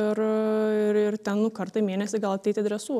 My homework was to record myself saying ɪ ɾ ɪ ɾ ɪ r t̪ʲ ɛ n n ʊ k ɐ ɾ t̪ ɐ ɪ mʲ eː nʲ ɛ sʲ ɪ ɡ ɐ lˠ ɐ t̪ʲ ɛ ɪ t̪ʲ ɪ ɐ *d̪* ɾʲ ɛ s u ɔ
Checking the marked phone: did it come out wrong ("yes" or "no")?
no